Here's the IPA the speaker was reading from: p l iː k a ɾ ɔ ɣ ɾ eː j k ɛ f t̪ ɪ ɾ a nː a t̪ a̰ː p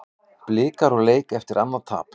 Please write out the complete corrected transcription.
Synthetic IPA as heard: p l ɪː k a ɾ ɔ ɣ l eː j k ɛ f t̪ ɪ ɾ a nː a t̪ʰ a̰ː p